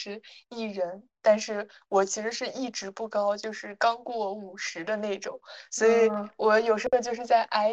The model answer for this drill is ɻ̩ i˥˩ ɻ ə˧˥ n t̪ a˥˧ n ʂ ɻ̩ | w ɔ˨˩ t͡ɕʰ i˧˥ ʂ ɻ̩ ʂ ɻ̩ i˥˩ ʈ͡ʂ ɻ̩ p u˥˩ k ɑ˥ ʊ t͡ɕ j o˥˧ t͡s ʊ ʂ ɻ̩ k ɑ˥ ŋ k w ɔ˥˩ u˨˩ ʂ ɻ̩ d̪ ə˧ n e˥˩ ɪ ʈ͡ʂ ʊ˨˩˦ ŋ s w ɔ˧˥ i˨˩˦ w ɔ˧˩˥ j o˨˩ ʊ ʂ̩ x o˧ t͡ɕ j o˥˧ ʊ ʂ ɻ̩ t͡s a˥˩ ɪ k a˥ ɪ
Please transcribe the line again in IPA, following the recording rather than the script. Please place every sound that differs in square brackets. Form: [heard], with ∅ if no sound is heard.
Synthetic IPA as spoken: ɻ̩ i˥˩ ɻ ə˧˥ n t̪ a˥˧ n ʂ ɻ̩ | w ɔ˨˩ t͡ɕʰ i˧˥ ʂ ɻ̩ ʂ ɻ̩ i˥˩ ʈ͡ʂ ɻ̩ p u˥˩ k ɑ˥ ʊ t͡ɕ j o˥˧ [∅] ʊ ʂ ɻ̩ k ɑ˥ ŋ k w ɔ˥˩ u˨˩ ʂ ɻ̩ d̪ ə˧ n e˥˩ ɪ ʈ͡ʂ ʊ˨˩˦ ŋ s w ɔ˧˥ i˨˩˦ w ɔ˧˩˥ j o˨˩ ʊ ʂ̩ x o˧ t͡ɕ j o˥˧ ʊ ʂ ɻ̩ t͡s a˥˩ ɪ [ʔ] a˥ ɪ